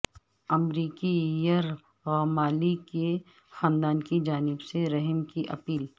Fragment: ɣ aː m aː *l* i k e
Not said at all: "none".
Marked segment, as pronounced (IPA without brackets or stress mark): l